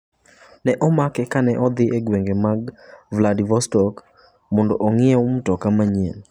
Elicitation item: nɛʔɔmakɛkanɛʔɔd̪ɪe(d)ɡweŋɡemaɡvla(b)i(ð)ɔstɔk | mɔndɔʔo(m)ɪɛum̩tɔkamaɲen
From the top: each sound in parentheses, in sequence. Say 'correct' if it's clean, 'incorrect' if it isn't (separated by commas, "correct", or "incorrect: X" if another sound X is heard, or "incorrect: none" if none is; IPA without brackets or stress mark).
incorrect: none, incorrect: d, incorrect: v, incorrect: ŋ